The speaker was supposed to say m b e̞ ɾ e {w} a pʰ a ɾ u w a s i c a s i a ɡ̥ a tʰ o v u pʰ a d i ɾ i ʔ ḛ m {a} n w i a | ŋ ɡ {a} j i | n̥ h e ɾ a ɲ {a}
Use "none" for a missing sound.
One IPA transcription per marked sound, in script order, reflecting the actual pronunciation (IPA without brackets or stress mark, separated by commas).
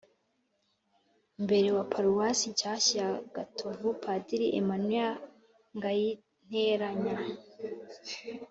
w, a, a, a